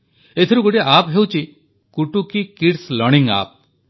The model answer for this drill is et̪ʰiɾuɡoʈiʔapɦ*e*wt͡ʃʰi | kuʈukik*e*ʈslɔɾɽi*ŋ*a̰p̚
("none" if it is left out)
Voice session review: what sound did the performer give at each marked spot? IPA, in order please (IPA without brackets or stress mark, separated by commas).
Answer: e, i, ŋ